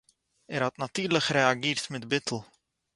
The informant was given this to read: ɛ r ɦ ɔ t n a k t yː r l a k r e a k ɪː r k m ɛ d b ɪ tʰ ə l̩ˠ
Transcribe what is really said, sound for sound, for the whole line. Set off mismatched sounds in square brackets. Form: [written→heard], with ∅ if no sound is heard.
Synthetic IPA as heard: ɛ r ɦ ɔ t n a [k→∅] t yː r l [a→ə] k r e a [k→ɡ] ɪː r [k→t] m ɛ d b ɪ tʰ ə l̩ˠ

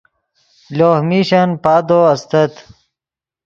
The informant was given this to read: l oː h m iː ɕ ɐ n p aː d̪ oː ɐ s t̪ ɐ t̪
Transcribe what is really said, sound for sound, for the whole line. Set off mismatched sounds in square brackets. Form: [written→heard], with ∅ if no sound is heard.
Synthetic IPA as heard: l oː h m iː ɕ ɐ n p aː d̪ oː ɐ s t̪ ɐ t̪

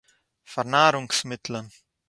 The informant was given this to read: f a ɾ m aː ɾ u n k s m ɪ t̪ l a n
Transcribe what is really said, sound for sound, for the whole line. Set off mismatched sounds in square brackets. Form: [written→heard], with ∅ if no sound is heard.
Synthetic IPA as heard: f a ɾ [m→n] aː ɾ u [n→ŋ] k s m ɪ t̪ l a n

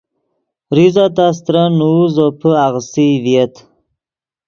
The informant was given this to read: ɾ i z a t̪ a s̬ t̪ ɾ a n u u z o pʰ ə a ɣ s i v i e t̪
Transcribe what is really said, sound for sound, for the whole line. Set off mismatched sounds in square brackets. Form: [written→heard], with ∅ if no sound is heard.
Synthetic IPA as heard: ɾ i z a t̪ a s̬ t̪ ɾ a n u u z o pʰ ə a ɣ s i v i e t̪

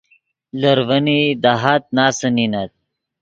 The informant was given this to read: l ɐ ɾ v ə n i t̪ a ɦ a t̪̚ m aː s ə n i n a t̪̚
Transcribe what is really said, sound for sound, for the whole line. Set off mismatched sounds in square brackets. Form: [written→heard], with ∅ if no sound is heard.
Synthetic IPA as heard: l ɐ ɾ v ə n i [t̪→d̪] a ɦ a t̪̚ [m→n] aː s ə n i n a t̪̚

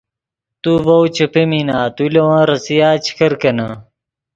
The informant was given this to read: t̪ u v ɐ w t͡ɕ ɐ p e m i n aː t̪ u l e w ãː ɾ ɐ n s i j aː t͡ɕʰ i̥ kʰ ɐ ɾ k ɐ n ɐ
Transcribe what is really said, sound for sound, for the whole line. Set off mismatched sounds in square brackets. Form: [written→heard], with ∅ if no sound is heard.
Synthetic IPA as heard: t̪ u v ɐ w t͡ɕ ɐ p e m i n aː t̪ u l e w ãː ɾ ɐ [n→∅] s i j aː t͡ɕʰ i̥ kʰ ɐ ɾ k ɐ n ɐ

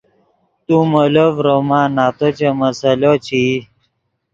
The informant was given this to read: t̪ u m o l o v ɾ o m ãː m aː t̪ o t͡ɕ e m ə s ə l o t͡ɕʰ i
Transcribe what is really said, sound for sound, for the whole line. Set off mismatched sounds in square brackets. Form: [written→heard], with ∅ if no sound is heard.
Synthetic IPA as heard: t̪ u m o l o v ɾ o m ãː [m→n] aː t̪ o t͡ɕ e m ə s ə l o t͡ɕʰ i

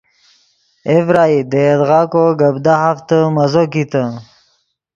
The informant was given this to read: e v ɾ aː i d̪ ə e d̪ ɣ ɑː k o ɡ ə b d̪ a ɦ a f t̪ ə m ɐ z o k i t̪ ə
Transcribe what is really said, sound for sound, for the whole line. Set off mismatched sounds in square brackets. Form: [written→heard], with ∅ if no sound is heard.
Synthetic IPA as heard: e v ɾ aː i d̪ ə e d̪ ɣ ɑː k o ɡ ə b d̪ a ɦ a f t̪ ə m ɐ z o k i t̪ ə

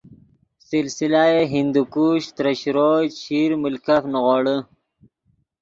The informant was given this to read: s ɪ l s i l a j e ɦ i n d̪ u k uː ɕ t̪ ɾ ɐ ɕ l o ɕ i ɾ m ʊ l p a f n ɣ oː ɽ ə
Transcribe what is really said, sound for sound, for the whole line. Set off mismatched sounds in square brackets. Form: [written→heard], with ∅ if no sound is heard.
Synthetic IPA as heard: s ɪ l s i l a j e ɦ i n d̪ u k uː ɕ t̪ ɾ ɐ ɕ [l→ɾ] o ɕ i ɾ m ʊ l [p→k] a f n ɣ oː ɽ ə

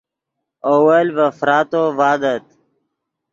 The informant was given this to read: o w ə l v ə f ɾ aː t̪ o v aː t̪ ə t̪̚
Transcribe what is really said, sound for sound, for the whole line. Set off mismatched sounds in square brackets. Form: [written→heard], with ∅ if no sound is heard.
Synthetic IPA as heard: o w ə l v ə f ɾ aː t̪ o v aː [t̪→d̪] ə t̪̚

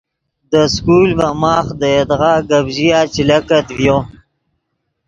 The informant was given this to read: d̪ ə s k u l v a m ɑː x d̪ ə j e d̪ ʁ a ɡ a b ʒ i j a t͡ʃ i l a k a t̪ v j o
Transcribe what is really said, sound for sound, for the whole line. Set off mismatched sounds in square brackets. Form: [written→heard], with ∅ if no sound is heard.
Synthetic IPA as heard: d̪ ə s k u l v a m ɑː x d̪ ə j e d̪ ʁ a ɡ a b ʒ i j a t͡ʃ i l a k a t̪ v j o

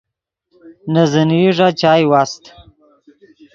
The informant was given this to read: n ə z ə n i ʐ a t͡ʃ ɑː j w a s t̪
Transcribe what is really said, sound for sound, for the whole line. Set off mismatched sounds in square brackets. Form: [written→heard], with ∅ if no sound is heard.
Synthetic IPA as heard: n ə z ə n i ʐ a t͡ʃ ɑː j w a s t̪

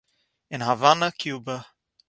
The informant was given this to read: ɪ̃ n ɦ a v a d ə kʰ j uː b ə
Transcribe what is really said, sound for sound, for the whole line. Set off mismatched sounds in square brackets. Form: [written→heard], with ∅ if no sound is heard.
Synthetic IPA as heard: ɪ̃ n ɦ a v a [d→n] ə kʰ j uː b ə

